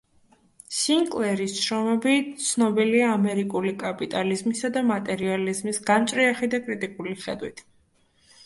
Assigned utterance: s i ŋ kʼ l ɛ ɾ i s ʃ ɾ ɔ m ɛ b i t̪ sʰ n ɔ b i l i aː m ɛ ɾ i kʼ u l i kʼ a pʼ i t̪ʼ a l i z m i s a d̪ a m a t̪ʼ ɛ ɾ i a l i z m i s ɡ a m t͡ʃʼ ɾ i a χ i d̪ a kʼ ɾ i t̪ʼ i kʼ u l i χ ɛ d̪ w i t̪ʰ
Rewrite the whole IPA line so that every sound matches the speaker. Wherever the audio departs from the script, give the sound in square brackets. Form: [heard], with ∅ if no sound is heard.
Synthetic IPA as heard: s i ŋ kʼ l ɛ ɾ i s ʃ ɾ ɔ m ɛ b i t̪ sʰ n ɔ b i l i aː m ɛ ɾ i kʼ u l i kʼ a pʼ i t̪ʼ a l i z m i s a d̪ a m a t̪ʼ ɛ ɾ i a l i z m i s ɡ a m t͡ʃʼ ɾ i a χ i d̪ a kʼ ɾ i t̪ʼ i kʼ u l i χ ɛ d̪ w i t̪ʰ

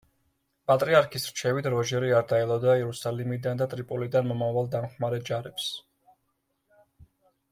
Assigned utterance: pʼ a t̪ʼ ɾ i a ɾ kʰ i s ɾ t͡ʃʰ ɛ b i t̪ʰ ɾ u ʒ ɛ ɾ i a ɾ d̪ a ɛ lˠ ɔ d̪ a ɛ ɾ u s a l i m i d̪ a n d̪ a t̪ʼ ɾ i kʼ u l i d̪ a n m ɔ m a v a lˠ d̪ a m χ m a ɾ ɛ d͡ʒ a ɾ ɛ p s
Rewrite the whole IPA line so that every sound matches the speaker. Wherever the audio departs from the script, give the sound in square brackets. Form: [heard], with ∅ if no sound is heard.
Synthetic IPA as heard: pʼ a t̪ʼ ɾ i a ɾ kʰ i s ɾ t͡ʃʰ ɛ [v] i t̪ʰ ɾ [ɔ] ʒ ɛ ɾ i a ɾ d̪ a ɛ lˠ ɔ d̪ a ɛ ɾ u s a l i m i d̪ a n d̪ a t̪ʼ ɾ i [pʼ] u l i d̪ a n m ɔ m a v a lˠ d̪ a m χ m a ɾ ɛ d͡ʒ a ɾ ɛ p s

